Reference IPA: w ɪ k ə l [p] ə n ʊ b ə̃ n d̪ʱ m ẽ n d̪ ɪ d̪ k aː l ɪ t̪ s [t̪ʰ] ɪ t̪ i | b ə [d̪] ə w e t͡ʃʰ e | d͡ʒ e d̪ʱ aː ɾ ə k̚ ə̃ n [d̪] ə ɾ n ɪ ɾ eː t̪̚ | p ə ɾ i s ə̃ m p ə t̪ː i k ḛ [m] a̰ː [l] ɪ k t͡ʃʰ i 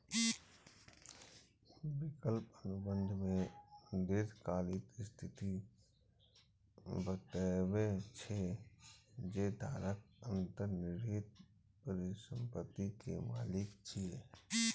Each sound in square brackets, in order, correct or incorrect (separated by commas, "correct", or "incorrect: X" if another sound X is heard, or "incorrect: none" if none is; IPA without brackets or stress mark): correct, correct, incorrect: t̪, incorrect: t̪, correct, correct